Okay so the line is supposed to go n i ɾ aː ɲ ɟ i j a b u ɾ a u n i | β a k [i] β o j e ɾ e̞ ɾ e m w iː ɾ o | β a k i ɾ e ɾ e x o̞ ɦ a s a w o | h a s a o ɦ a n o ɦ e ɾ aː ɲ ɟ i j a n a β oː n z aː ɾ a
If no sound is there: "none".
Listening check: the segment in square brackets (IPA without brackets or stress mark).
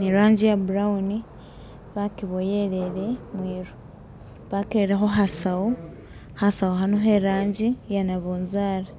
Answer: i